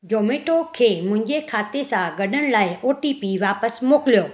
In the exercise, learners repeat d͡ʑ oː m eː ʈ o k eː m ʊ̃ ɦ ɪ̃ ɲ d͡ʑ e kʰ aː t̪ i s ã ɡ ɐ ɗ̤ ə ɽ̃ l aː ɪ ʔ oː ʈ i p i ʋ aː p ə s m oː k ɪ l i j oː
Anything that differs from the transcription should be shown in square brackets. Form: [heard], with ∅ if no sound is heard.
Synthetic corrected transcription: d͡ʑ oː m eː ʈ o [kʰ] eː m ʊ̃ ɦ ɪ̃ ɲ d͡ʑ e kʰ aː t̪ [e] s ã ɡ ɐ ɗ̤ ə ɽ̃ l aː ɪ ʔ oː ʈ i p i ʋ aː p ə s m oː k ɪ l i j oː

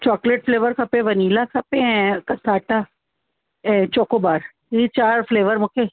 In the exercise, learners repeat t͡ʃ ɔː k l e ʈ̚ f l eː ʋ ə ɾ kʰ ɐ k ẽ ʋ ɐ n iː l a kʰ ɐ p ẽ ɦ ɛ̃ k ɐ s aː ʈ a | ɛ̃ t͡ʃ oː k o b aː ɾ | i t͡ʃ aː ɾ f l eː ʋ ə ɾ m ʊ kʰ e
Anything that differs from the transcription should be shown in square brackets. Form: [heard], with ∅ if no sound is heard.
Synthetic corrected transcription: t͡ʃ ɔː k l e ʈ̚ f l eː ʋ ə ɾ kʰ ɐ [p] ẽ ʋ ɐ n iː l a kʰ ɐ p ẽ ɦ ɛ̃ k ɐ s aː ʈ a | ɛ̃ t͡ʃ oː k o b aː ɾ | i t͡ʃ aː ɾ f l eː ʋ ə ɾ m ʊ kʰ e

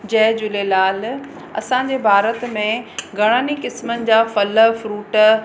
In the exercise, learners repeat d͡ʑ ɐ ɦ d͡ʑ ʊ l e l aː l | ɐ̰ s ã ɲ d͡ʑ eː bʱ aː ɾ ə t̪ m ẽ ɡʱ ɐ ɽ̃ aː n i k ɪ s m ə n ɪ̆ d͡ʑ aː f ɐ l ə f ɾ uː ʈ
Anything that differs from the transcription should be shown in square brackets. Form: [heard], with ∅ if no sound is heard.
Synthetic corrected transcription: d͡ʑ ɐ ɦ d͡ʑ ʊ l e l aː l | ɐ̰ s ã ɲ d͡ʑ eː bʱ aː ɾ ə t̪ m ẽ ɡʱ ɐ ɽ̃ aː n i k ɪ s m ə n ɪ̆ d͡ʑ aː f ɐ l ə f ɾ uː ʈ

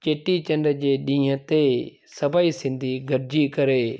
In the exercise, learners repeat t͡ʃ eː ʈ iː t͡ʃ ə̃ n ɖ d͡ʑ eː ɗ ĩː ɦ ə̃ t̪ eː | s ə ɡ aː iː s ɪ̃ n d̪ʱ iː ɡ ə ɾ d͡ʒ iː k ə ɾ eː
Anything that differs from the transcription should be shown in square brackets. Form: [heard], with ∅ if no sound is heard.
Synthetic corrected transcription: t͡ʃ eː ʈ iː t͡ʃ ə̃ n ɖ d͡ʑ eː ɗ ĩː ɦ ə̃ t̪ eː | s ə [b] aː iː s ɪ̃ n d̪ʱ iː ɡ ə ɾ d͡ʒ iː k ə ɾ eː

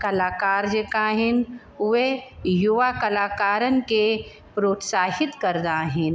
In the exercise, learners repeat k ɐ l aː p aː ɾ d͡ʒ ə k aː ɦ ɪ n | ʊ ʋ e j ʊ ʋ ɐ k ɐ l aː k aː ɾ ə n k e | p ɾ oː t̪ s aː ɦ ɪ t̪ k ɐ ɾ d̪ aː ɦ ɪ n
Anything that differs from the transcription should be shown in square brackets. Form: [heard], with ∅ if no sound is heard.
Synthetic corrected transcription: k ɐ l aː [k] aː ɾ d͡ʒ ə k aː ɦ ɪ n | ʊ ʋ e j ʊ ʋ [a] k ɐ l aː k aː ɾ ə n k e | p ɾ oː t̪ s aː ɦ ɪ t̪ k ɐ ɾ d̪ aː ɦ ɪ n

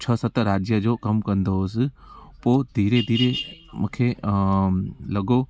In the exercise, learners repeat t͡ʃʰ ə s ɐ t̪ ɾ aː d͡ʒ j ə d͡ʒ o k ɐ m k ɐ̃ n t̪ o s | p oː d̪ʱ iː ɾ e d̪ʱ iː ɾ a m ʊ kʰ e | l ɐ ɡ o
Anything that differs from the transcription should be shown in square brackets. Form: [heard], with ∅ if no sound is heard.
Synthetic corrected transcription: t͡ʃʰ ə s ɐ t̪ ɾ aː d͡ʒ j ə d͡ʒ o k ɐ m k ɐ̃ n [d̪] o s | p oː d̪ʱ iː ɾ e d̪ʱ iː ɾ [e] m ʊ kʰ e | l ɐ ɡ o

